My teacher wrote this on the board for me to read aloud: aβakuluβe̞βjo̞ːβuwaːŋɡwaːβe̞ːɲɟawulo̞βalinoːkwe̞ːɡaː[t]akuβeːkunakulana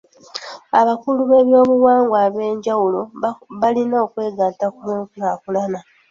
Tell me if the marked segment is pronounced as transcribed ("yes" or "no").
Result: yes